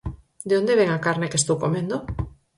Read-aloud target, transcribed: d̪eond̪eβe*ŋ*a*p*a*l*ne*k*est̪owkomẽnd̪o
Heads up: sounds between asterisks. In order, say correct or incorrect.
correct, incorrect, incorrect, correct

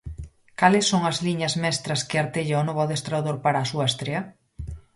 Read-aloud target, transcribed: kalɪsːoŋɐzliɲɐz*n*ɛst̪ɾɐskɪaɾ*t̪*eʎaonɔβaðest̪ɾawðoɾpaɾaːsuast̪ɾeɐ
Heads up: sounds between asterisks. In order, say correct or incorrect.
incorrect, correct

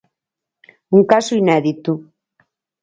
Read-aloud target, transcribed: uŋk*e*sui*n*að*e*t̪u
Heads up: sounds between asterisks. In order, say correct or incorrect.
incorrect, correct, incorrect

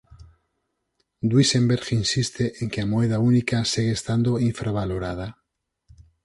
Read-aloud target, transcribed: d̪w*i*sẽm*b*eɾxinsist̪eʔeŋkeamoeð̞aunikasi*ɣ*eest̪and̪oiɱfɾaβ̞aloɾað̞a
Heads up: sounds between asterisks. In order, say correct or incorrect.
correct, correct, correct

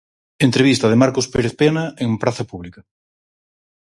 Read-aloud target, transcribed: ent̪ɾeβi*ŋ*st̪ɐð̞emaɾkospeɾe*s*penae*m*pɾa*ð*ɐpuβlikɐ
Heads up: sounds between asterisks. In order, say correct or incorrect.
incorrect, incorrect, incorrect, incorrect

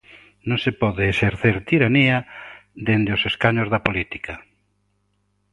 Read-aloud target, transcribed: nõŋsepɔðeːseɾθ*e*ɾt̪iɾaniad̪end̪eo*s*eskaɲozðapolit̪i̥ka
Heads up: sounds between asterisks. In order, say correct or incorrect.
correct, correct

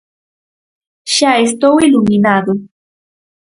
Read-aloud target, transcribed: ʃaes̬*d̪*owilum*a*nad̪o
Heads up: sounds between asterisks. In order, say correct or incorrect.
incorrect, incorrect

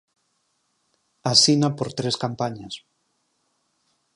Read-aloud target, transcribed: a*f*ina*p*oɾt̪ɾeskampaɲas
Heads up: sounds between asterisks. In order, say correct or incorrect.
incorrect, correct

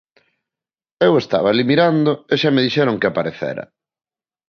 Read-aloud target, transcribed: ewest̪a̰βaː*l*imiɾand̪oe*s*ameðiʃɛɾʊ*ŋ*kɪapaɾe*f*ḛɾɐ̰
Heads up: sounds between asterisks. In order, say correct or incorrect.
correct, incorrect, correct, incorrect

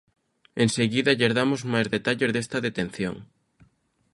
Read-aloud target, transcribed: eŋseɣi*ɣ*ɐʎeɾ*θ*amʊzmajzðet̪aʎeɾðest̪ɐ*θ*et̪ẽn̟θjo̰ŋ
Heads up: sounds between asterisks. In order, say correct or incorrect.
incorrect, incorrect, incorrect

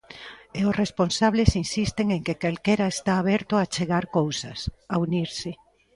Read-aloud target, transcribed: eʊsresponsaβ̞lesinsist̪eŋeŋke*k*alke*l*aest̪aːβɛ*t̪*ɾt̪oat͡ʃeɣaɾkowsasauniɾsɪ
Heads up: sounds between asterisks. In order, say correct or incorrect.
correct, incorrect, incorrect

